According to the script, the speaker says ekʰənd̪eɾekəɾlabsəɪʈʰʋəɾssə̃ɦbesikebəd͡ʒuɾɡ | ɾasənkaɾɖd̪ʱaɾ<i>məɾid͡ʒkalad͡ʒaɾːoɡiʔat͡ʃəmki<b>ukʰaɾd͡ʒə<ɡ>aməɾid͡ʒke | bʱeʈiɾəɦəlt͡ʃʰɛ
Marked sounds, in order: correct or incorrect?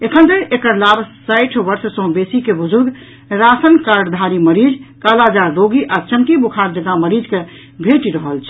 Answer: correct, correct, correct

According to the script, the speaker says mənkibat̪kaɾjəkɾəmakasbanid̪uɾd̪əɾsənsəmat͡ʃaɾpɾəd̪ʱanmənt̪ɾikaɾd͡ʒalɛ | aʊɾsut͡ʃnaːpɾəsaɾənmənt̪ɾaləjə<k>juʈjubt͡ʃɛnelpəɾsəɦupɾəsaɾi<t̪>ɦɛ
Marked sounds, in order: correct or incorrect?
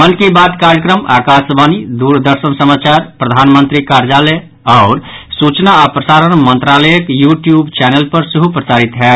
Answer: correct, correct

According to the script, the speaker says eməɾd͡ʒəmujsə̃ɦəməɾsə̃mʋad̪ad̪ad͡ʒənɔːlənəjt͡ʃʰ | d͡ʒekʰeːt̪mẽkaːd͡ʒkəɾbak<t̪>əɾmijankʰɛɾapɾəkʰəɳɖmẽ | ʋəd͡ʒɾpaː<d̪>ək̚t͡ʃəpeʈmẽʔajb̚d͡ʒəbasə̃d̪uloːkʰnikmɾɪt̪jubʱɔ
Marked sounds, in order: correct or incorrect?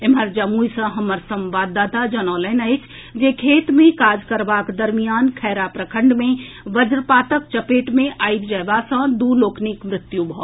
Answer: incorrect, incorrect

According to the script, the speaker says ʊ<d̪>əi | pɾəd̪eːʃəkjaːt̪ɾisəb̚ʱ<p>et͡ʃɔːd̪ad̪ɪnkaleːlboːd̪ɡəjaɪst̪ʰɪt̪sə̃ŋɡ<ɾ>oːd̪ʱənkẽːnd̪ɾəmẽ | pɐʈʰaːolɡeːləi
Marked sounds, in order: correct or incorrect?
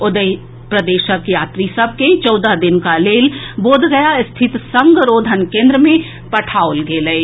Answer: correct, incorrect, correct

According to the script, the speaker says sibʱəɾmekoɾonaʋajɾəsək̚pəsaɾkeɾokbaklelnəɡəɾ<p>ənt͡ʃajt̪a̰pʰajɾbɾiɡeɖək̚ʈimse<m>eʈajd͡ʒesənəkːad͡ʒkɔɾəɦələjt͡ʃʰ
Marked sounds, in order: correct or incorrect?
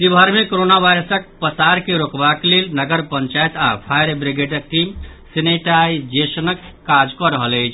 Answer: correct, incorrect

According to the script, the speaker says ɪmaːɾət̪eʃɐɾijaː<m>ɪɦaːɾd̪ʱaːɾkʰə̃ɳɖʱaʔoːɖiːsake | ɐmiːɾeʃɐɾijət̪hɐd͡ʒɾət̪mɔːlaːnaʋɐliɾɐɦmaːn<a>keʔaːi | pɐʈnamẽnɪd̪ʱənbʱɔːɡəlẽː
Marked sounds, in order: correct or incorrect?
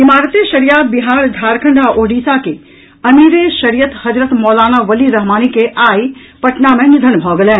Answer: incorrect, incorrect

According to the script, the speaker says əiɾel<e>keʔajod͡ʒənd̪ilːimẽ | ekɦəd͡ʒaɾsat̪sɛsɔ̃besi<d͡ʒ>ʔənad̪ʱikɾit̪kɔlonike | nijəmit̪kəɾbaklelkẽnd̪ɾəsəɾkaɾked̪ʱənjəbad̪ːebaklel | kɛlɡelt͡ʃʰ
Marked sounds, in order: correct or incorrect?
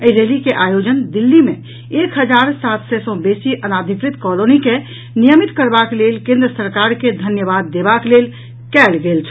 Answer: incorrect, incorrect

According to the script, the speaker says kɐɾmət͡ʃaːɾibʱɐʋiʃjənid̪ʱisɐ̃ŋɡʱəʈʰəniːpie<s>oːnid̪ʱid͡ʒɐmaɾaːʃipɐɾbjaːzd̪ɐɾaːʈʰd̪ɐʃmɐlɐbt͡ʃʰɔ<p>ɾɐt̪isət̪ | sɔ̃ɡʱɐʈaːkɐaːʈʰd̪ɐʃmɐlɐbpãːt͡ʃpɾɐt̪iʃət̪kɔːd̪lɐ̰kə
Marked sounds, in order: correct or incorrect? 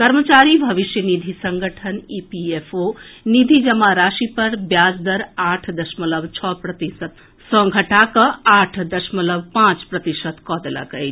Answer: incorrect, correct

